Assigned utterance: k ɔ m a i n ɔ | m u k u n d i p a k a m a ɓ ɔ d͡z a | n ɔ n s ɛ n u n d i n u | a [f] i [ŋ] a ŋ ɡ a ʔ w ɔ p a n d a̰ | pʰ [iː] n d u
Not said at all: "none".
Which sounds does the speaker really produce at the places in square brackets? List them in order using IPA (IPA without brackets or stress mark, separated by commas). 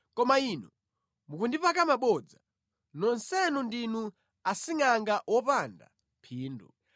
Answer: s, ŋ, iː